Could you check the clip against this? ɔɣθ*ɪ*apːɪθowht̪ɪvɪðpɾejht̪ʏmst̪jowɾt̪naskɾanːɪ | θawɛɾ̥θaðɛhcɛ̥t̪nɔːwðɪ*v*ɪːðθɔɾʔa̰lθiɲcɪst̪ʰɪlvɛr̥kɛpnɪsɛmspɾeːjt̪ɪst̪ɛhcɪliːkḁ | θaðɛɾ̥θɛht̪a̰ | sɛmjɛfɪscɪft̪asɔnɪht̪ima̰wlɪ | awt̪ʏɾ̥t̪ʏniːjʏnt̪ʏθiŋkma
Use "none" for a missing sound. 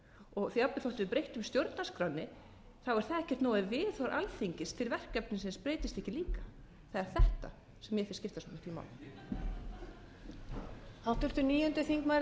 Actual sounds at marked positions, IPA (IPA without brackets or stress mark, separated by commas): i, v